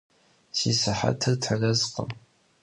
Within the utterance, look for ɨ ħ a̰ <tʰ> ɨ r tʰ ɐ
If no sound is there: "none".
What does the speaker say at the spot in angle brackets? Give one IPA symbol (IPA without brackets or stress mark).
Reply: tʰ